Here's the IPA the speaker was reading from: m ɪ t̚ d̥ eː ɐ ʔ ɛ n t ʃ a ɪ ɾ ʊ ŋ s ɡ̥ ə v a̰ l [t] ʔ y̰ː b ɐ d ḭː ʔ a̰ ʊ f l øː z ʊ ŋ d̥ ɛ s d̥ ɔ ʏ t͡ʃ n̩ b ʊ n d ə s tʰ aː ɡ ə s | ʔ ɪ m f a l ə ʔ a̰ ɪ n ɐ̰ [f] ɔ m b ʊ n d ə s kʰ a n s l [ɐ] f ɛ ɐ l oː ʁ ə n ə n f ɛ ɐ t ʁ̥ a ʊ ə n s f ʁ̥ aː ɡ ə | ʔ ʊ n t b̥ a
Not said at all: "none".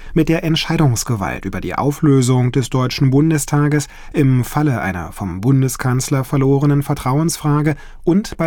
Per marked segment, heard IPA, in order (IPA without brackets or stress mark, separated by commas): t, f, ɐ